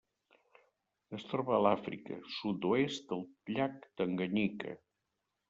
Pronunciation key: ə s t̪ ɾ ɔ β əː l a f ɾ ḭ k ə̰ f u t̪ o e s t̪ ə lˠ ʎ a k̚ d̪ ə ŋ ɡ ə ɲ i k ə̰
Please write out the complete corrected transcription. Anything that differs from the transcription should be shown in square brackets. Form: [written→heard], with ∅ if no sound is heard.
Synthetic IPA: ə s t̪ ɾ ɔ β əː l a f ɾ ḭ k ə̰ [f→s] u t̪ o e s t̪ ə lˠ ʎ a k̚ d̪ ə ŋ ɡ ə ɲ i k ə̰